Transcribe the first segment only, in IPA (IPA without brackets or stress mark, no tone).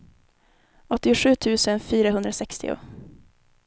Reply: ɔ